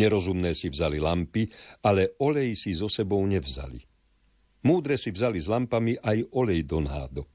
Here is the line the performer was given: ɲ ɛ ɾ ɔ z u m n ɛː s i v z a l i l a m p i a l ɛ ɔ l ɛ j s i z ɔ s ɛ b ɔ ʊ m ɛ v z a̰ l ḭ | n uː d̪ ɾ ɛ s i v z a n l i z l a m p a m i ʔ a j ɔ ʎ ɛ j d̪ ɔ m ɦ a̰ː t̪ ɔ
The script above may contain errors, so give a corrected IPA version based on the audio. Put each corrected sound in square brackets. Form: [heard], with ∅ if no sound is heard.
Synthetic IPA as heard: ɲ ɛ ɾ ɔ z u m n ɛː s i v z a l i l a m p i a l ɛ ɔ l ɛ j s i z ɔ s ɛ b ɔ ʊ [ɲ] ɛ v z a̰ l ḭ | [m] uː d̪ ɾ ɛ s i v z a [∅] l i z l a m p a m i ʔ a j ɔ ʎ ɛ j d̪ ɔ [n] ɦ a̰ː [d̪] ɔ